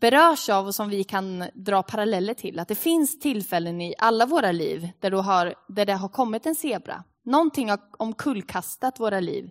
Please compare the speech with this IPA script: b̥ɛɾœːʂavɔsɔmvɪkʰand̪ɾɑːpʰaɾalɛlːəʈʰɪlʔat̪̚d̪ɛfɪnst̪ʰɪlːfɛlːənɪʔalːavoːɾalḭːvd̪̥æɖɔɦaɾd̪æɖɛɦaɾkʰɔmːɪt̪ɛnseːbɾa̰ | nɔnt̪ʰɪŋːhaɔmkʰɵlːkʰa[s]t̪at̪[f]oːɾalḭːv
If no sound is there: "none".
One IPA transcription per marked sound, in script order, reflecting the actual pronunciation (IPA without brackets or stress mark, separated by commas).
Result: s, v